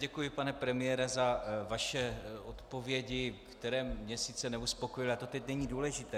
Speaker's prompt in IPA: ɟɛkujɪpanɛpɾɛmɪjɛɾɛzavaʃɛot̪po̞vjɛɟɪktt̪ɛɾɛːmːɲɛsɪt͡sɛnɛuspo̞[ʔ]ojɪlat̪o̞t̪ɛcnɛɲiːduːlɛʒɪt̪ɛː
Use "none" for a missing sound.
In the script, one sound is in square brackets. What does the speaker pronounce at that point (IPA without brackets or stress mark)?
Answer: k